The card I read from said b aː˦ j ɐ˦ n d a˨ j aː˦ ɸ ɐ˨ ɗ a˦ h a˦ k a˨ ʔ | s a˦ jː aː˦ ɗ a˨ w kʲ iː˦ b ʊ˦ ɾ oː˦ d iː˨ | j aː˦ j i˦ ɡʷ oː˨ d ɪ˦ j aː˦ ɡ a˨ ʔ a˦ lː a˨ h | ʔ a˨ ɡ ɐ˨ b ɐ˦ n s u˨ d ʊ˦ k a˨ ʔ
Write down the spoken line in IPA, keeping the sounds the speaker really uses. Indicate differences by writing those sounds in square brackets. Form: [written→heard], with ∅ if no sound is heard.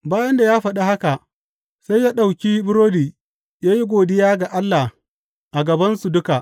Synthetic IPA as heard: b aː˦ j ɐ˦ n d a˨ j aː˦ ɸ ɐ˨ ɗ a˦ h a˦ k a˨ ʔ | s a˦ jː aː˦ ɗ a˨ w kʲ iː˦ b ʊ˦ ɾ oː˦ d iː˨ | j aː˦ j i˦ ɡʷ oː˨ d ɪ˦ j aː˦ ɡ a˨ ʔ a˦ lː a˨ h | ʔ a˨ ɡ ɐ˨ b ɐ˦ n s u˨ d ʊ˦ k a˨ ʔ